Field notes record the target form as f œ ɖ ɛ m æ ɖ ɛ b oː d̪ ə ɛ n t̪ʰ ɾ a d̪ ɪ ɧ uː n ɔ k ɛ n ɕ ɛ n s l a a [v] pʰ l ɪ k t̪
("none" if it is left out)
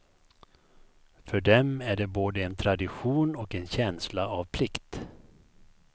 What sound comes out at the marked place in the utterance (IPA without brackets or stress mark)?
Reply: v